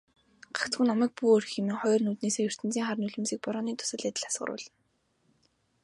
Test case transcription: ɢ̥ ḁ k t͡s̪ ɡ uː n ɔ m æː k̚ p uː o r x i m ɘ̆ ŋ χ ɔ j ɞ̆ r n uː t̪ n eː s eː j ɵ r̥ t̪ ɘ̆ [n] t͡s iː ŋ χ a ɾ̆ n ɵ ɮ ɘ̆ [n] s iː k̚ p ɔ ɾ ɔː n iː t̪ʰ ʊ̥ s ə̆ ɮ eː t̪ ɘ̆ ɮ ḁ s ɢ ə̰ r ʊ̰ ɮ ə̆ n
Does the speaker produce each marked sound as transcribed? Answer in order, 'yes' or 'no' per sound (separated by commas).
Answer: yes, no